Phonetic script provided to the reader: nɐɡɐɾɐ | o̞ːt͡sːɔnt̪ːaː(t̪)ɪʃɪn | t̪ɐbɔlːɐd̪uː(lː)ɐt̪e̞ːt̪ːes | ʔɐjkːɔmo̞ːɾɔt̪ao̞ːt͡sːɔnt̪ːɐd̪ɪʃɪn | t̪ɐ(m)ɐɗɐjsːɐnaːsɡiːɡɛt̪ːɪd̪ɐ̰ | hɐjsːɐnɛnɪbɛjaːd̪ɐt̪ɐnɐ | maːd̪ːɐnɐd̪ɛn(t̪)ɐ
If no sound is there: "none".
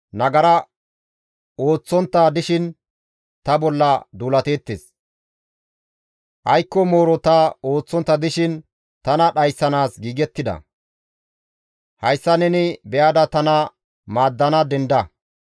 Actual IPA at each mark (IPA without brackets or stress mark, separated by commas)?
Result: d̪, l, n, d̪